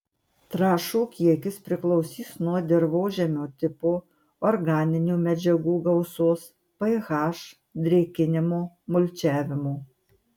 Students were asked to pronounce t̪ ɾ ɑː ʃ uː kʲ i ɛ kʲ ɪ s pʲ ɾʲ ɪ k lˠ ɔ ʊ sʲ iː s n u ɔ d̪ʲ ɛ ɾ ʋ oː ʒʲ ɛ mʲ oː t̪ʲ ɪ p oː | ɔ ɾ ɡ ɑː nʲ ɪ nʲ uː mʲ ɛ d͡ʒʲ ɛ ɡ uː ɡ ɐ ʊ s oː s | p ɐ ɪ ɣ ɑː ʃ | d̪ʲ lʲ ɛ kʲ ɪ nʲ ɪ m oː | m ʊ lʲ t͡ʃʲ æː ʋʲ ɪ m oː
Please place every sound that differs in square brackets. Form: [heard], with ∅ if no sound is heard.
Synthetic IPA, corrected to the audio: t̪ ɾ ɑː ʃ uː kʲ i ɛ kʲ ɪ s pʲ ɾʲ ɪ k lˠ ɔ ʊ sʲ iː s n u ɔ d̪ʲ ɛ ɾ ʋ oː ʒʲ ɛ mʲ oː t̪ʲ ɪ p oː | ɔ ɾ ɡ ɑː nʲ ɪ nʲ uː mʲ ɛ d͡ʒʲ ɛ ɡ uː ɡ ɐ ʊ s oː s | p ɐ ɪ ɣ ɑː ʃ | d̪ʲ [ɾʲ] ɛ kʲ ɪ nʲ ɪ m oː | m ʊ lʲ t͡ʃʲ æː ʋʲ ɪ m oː